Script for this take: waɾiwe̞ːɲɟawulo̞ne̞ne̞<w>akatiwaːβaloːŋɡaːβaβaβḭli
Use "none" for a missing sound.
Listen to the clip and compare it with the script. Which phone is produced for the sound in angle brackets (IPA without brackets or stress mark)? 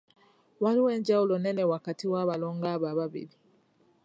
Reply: w